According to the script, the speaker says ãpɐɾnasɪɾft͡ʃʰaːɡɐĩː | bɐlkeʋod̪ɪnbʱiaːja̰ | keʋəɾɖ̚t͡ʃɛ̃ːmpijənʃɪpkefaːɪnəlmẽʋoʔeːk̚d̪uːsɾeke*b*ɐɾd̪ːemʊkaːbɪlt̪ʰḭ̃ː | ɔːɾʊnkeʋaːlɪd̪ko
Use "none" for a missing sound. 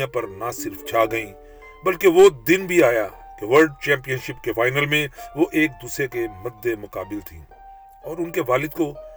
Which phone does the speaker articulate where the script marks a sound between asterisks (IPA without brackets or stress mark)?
m